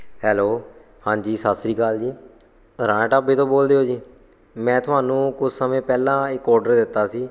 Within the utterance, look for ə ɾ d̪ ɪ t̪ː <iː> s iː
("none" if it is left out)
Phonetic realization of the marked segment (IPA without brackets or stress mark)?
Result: aː